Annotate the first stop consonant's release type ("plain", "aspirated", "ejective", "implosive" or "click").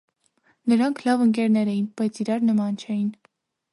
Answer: aspirated